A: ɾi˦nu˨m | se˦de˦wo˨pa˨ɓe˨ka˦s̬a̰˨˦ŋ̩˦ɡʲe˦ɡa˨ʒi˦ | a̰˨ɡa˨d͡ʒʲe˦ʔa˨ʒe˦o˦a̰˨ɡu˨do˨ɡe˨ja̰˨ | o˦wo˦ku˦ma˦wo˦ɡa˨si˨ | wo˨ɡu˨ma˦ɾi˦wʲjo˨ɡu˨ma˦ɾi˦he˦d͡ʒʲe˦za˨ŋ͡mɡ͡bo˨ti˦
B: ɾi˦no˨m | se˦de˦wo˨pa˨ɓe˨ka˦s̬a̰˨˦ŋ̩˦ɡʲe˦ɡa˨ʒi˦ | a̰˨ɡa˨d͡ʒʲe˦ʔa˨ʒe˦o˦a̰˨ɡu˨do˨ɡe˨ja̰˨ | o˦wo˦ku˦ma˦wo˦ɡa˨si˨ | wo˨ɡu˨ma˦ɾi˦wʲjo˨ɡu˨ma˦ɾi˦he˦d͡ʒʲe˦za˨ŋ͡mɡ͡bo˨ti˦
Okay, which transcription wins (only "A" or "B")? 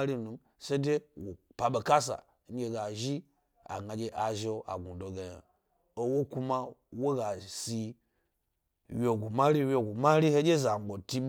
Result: A